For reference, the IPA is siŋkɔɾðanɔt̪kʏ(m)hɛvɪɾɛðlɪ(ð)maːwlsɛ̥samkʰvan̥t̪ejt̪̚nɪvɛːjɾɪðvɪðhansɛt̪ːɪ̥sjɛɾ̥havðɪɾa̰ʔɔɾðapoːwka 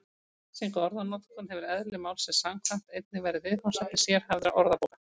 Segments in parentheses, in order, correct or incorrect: incorrect, incorrect

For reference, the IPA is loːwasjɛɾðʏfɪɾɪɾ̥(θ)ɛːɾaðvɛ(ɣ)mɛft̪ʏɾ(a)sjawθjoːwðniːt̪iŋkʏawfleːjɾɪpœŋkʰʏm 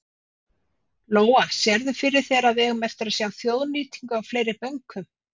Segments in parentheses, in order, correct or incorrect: correct, correct, correct

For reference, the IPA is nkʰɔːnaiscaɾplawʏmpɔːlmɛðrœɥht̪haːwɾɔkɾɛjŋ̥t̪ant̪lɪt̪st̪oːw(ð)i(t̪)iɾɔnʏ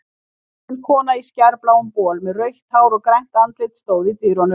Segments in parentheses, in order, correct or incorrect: correct, correct

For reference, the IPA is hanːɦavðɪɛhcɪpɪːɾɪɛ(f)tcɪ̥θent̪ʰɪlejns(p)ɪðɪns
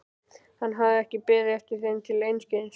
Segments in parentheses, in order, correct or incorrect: correct, incorrect

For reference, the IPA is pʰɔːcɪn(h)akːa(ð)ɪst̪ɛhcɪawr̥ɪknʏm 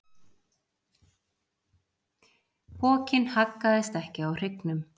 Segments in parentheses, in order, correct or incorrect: correct, correct

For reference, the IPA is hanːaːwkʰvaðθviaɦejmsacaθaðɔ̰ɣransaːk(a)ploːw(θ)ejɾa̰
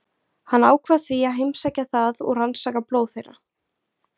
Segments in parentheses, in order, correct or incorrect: correct, correct

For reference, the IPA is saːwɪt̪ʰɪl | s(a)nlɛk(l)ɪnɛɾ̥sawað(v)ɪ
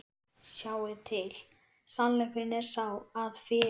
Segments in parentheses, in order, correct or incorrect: correct, incorrect, incorrect

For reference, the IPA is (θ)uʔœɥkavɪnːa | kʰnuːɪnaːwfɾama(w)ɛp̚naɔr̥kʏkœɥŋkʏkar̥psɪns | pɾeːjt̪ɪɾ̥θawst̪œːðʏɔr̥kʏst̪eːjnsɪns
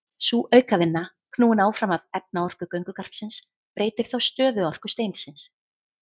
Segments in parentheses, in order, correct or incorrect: incorrect, incorrect

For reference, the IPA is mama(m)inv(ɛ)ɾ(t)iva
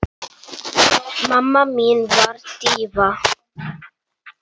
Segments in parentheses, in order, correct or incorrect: correct, incorrect, correct

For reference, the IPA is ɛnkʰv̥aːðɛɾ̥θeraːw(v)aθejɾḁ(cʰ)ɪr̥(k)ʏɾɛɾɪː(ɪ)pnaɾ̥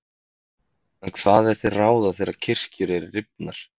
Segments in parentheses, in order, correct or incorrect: incorrect, correct, incorrect, correct

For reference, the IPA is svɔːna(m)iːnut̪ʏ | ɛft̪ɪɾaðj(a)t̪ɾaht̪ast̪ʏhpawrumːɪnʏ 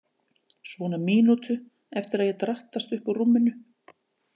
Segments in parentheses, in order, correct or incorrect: correct, incorrect

